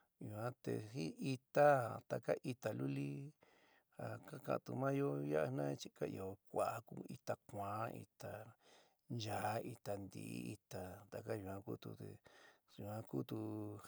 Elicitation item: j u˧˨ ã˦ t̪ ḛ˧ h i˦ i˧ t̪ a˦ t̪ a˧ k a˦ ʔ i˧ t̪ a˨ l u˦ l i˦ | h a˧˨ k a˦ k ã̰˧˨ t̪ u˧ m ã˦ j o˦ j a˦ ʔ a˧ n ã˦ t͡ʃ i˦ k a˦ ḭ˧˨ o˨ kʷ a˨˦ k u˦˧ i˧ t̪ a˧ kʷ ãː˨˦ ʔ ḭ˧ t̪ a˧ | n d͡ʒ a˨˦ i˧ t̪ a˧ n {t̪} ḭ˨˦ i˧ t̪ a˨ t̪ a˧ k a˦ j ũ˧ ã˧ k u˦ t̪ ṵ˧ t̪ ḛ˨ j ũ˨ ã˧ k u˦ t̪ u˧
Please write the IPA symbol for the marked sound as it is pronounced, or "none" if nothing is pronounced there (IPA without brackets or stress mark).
d̪